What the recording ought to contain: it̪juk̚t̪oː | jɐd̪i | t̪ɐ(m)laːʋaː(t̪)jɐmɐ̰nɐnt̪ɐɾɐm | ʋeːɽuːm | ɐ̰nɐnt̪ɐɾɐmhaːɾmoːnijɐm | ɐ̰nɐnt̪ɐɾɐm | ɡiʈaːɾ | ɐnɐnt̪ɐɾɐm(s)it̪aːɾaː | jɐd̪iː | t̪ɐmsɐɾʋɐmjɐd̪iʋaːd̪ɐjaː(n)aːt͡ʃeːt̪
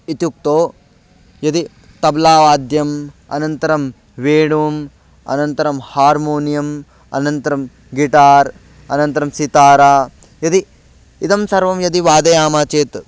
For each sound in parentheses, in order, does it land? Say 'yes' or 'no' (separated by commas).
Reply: no, no, yes, no